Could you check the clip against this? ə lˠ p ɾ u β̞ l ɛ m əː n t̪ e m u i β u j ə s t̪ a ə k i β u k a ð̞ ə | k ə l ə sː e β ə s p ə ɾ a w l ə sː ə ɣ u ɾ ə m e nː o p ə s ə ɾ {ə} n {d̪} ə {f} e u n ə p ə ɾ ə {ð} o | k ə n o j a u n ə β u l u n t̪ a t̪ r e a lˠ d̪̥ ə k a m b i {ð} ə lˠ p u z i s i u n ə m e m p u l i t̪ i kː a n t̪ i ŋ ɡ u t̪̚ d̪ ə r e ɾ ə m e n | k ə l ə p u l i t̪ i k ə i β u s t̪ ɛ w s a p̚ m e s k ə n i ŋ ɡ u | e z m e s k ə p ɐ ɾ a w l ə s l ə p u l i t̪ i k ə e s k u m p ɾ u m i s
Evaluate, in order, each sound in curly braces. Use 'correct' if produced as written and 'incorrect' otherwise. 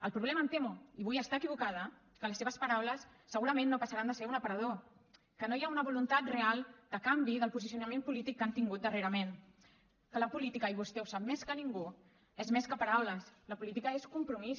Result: incorrect, correct, incorrect, correct, correct

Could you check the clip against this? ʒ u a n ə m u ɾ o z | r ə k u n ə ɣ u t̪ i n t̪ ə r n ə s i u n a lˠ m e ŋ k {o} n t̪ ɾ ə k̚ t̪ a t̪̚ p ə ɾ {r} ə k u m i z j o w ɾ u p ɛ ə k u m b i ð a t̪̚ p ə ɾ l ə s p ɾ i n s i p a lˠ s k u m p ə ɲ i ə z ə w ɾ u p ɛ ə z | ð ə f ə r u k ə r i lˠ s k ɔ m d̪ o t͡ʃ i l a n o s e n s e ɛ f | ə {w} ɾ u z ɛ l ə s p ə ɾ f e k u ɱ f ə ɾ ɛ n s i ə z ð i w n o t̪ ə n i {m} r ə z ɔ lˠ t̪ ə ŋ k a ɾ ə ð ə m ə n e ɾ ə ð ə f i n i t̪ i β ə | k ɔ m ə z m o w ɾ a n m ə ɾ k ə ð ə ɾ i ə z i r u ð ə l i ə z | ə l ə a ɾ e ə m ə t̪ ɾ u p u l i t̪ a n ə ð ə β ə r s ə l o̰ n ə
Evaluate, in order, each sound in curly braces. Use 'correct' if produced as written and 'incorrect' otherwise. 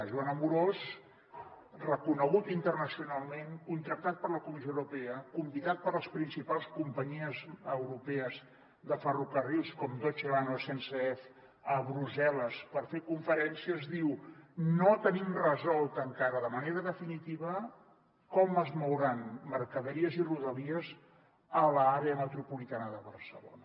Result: incorrect, incorrect, incorrect, correct

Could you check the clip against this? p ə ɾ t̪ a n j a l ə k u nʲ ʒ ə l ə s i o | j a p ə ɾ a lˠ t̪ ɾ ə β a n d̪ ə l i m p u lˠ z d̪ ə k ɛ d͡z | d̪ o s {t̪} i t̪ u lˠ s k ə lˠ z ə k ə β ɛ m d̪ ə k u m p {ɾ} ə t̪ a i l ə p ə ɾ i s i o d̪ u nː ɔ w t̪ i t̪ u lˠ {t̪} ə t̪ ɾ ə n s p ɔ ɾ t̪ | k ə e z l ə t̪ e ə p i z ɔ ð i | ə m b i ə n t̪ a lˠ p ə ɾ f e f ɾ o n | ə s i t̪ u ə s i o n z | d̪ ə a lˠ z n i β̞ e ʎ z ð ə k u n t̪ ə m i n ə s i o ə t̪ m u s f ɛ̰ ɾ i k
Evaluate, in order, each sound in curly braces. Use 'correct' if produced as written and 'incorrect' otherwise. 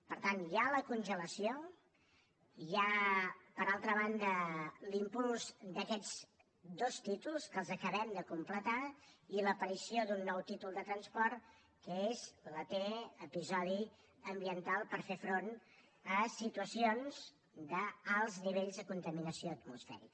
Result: correct, incorrect, incorrect

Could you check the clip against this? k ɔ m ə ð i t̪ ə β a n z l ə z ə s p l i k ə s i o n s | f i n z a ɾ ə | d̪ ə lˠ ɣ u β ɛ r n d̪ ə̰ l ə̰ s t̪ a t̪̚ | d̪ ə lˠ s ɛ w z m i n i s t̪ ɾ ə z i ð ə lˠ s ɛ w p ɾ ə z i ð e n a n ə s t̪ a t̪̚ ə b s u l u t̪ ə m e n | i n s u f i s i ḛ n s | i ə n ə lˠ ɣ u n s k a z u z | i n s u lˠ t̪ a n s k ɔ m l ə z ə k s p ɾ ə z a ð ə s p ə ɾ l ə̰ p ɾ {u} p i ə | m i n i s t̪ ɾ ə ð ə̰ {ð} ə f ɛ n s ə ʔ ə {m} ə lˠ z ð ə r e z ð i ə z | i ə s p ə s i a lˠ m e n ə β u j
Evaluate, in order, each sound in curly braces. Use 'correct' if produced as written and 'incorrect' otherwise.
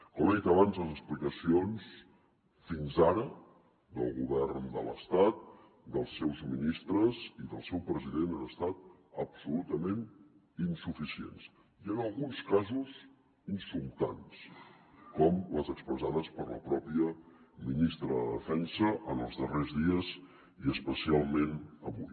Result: incorrect, correct, incorrect

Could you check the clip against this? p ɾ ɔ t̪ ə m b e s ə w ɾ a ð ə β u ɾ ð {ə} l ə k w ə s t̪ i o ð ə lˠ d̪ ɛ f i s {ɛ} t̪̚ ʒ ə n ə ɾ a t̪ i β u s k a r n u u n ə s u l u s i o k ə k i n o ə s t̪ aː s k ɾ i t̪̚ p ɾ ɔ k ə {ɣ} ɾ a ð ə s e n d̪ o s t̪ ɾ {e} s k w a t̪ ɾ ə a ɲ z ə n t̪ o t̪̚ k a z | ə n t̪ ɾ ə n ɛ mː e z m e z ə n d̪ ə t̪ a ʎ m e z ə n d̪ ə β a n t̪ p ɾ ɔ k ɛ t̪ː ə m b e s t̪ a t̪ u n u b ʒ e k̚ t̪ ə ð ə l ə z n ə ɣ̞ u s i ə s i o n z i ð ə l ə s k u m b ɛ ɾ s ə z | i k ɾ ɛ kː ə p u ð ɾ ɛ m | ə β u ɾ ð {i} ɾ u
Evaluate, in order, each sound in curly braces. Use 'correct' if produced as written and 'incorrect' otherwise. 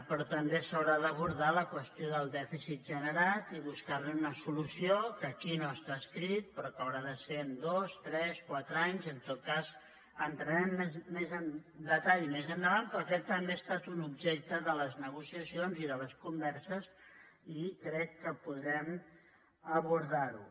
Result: incorrect, incorrect, incorrect, incorrect, incorrect

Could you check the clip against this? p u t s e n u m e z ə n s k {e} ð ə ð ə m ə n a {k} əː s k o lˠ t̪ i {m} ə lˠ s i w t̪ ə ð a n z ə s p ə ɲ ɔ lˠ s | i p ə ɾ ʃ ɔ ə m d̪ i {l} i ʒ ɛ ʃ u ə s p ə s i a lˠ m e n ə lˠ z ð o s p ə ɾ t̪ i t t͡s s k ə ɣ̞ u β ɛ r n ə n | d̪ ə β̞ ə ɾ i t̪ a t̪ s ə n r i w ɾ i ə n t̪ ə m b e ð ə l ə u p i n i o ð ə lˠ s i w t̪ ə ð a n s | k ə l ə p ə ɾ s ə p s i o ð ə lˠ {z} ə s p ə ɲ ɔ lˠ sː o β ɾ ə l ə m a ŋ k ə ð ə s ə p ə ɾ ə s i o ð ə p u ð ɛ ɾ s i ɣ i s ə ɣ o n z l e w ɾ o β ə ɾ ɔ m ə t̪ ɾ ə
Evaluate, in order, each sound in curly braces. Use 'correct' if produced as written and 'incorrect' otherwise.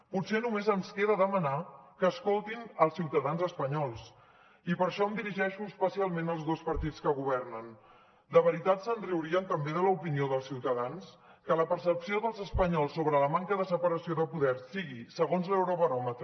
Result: correct, correct, incorrect, incorrect, correct

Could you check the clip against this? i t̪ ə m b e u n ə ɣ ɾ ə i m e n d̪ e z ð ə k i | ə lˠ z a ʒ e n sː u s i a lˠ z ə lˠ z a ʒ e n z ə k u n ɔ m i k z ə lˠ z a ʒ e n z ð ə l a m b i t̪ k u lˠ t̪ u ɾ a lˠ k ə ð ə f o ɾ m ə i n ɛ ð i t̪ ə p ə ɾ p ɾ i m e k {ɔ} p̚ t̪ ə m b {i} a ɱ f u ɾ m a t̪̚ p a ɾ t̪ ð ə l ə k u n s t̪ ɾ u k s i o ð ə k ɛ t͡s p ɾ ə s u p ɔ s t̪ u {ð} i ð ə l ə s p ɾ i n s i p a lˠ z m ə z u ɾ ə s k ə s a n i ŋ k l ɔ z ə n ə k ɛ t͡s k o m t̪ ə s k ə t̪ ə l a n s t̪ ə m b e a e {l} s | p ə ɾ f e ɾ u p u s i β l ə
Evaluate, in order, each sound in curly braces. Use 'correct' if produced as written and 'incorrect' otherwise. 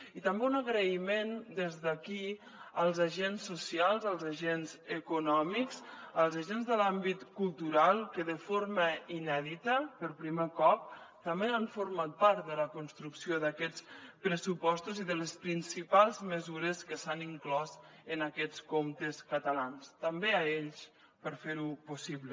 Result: correct, incorrect, incorrect, incorrect

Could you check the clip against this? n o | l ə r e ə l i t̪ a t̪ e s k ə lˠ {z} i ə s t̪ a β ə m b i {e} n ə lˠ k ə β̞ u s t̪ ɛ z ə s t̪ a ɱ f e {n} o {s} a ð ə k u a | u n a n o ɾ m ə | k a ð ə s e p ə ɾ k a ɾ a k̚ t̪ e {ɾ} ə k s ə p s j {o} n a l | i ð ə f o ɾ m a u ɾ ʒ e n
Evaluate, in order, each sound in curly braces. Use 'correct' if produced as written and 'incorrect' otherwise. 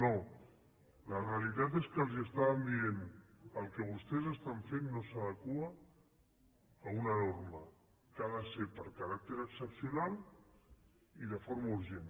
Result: correct, correct, incorrect, correct, correct, incorrect

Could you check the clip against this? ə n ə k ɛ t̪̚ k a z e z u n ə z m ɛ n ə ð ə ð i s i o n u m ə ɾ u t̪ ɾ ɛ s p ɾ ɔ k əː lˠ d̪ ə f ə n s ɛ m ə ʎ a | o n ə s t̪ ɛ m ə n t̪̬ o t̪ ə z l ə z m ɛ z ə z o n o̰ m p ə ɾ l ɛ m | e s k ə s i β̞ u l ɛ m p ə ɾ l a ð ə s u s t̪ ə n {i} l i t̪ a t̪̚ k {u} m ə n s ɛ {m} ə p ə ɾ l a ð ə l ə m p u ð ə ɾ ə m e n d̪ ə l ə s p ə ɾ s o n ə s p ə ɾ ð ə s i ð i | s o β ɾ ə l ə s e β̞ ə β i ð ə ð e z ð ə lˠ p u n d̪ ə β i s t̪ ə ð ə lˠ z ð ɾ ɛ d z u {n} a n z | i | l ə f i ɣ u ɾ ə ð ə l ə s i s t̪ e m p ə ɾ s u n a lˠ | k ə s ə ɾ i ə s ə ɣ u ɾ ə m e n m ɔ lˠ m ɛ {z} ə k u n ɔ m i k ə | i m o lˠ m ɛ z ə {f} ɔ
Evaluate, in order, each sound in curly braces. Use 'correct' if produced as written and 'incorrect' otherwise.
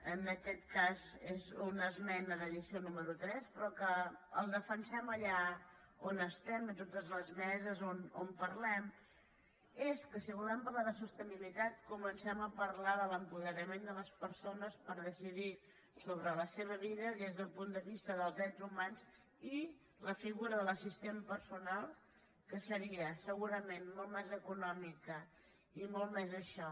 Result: correct, correct, correct, incorrect, correct, incorrect

